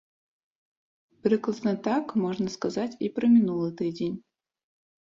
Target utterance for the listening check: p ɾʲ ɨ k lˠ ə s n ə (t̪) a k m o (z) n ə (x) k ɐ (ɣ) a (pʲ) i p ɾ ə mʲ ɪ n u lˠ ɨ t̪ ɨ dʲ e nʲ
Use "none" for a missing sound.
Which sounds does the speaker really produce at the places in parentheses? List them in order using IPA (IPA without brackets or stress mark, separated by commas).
t̪, ʐ, s, z, tʲ